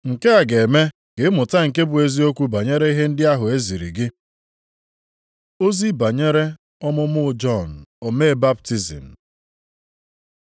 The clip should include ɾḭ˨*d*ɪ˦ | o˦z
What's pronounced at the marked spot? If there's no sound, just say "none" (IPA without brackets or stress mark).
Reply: ɡ